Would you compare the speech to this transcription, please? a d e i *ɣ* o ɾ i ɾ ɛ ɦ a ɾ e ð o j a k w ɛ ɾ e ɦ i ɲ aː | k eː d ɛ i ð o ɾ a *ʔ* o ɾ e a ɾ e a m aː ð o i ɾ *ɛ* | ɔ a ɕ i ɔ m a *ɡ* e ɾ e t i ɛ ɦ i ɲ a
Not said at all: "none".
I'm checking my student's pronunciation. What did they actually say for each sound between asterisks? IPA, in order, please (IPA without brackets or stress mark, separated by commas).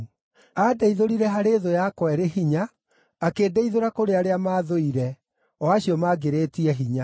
ð, k, ɛ, ɡ